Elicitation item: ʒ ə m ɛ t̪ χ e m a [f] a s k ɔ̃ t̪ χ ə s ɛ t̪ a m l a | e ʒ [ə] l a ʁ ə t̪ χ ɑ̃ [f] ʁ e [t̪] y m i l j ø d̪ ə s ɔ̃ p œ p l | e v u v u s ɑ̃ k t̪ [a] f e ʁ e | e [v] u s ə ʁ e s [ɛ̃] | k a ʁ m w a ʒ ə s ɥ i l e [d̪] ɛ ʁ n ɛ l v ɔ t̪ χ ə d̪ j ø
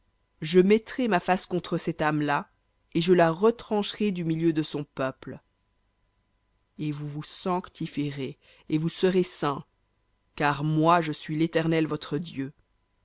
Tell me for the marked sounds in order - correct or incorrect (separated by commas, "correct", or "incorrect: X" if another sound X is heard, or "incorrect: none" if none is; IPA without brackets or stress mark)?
correct, correct, incorrect: ʃ, incorrect: d̪, incorrect: i, correct, correct, incorrect: t̪